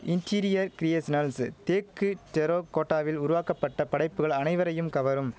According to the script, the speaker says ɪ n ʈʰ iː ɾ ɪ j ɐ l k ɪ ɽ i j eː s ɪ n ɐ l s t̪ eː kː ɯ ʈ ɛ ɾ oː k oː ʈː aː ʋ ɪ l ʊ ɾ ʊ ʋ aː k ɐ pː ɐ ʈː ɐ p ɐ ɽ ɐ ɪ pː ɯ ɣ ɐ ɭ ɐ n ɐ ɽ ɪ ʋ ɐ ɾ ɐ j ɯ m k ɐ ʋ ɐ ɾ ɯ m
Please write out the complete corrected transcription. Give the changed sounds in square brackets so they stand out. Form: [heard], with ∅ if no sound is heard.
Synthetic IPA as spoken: ɪ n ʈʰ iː ɾ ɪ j ɐ [ɾ] k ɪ [ɾ] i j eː s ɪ n ɐ l s t̪ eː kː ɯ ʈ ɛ ɾ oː k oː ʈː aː ʋ ɪ l ʊ ɾ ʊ ʋ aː k ɐ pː ɐ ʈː ɐ p ɐ ɽ ɐ ɪ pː ɯ ɣ ɐ ɭ ɐ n ɐ [∅] ɪ ʋ ɐ ɾ ɐ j ɯ m k ɐ ʋ ɐ ɾ ɯ m